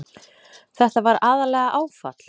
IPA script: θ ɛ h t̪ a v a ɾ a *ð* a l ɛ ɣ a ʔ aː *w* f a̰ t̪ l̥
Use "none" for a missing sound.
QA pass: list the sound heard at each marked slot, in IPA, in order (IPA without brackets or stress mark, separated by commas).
ð, w